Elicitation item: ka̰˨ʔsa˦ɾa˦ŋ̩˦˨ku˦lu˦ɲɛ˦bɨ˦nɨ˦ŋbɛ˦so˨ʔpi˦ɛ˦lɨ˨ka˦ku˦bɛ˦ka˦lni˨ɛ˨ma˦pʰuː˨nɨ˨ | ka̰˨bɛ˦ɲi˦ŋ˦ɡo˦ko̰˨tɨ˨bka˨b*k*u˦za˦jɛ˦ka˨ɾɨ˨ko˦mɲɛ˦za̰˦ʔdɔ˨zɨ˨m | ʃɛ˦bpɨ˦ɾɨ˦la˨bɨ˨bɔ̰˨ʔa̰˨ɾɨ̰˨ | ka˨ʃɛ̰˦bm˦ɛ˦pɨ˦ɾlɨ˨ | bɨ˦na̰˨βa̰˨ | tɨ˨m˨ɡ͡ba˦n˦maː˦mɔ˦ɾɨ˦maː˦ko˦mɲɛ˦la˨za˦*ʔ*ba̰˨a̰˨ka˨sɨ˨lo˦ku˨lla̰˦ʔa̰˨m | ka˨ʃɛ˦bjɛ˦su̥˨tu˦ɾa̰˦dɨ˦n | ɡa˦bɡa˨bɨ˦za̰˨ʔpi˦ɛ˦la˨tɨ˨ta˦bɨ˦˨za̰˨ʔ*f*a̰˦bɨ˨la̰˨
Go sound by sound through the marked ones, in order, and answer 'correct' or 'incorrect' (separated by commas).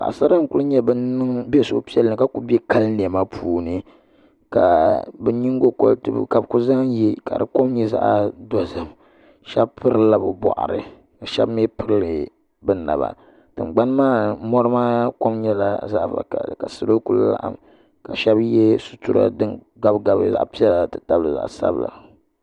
correct, correct, incorrect